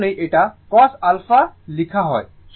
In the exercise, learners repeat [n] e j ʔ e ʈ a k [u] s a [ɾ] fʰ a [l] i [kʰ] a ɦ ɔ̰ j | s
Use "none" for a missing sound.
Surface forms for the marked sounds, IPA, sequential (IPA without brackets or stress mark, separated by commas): n, ɔ, l, l, kʰ